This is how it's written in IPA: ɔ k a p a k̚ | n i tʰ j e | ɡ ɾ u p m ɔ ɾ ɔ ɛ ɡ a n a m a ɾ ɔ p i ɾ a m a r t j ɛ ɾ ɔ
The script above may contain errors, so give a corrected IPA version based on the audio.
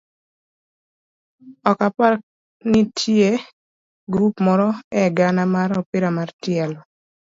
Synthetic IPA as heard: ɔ k a p a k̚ | n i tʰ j e | ɡ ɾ u p m ɔ ɾ ɔ ɛ ɡ a n a m a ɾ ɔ p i ɾ a m a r t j ɛ l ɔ